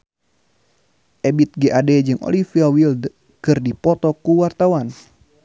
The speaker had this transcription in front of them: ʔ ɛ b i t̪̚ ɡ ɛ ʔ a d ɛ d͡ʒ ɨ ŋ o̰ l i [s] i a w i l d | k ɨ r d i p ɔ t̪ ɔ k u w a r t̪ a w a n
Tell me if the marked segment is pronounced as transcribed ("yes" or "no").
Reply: no